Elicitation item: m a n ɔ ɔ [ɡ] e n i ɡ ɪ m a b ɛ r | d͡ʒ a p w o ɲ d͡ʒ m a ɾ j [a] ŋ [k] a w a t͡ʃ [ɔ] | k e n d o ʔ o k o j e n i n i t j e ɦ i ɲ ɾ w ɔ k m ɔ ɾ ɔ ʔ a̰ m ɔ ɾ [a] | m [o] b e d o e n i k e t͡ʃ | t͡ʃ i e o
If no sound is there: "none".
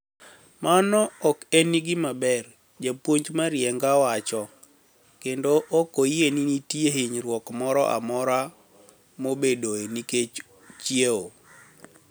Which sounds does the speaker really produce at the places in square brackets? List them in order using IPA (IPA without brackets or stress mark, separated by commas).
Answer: k, ɛ, ɡ, ɔ, a, o